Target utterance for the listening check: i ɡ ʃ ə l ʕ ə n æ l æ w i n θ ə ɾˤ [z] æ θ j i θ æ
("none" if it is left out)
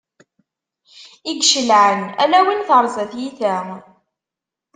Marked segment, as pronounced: z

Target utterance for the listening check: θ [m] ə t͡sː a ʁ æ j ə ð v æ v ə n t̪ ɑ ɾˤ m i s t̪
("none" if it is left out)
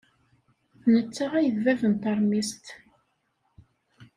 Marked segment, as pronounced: n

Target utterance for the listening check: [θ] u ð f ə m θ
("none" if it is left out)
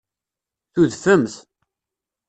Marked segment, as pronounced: θ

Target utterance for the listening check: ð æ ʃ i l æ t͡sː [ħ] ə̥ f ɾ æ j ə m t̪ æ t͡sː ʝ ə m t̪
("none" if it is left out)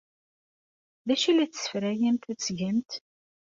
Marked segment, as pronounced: s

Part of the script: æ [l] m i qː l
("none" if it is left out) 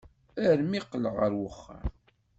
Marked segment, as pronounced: ɾ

